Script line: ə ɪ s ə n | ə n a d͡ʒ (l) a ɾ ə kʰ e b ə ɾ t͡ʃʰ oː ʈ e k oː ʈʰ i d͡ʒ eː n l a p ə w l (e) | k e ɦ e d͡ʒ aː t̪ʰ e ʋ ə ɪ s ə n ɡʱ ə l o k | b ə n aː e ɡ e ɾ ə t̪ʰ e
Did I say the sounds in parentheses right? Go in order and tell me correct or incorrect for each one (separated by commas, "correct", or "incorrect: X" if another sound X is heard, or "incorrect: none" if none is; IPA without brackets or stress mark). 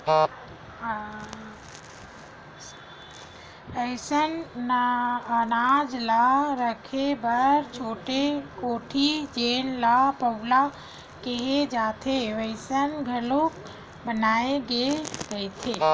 correct, incorrect: a